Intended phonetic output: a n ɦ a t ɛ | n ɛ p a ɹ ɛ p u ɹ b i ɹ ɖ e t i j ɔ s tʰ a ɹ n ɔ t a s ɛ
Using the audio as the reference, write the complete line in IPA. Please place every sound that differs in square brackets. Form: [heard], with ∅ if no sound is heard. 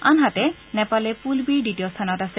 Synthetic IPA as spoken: a n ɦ a t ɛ | n ɛ p a [l] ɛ p u [l] b i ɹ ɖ [i] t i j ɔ s tʰ a [∅] n ɔ t a s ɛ